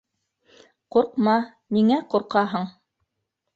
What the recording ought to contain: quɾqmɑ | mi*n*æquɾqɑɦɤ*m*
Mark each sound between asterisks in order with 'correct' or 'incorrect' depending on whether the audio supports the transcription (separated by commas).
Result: incorrect, incorrect